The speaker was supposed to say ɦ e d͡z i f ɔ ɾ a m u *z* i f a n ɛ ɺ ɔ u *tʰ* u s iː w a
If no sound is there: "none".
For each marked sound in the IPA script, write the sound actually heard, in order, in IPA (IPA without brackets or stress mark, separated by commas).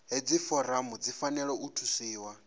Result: d͡z, tʰ